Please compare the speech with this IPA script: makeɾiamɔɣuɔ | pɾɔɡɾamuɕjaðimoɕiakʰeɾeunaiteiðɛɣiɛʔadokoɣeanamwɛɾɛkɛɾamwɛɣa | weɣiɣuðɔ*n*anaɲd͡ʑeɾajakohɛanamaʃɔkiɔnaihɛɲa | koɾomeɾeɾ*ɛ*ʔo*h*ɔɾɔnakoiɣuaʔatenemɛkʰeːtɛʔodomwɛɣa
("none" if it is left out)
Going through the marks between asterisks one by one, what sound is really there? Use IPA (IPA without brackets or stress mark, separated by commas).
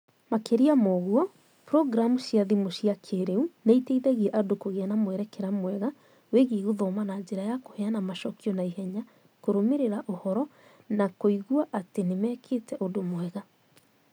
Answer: m, a, h